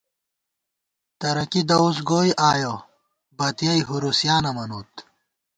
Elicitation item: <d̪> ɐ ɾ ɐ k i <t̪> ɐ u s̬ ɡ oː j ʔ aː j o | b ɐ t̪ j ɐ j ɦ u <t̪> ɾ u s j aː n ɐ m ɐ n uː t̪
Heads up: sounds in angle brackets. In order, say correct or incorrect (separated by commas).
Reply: incorrect, incorrect, incorrect